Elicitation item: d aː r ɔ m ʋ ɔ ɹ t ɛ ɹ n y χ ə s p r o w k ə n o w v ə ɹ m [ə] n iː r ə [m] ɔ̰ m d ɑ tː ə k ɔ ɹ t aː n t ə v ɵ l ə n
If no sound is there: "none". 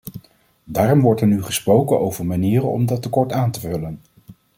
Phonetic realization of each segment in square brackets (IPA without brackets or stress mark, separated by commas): a, n